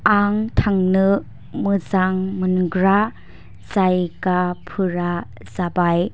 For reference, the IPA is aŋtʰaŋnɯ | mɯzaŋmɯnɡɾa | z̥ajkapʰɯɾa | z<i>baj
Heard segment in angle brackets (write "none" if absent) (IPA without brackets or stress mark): a